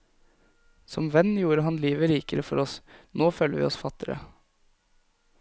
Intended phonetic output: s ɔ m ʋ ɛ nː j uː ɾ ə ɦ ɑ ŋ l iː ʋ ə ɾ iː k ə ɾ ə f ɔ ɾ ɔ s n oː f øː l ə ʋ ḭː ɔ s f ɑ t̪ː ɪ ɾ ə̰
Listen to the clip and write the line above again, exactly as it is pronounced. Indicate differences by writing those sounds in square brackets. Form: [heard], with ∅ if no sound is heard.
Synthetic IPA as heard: s ɔ m ʋ ɛ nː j uː ɾ ə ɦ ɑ [n] l iː ʋ ə ɾ iː k ə ɾ ə f ɔ ɾ ɔ s n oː f øː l ə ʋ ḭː ɔ s f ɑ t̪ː ɪ ɾ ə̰